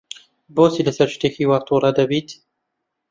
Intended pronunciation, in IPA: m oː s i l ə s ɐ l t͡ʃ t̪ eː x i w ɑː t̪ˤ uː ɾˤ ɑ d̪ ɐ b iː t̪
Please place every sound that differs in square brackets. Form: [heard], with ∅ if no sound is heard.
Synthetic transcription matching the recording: [b] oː s i l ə s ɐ [ɾ] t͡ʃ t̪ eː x i w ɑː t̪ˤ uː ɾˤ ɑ d̪ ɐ b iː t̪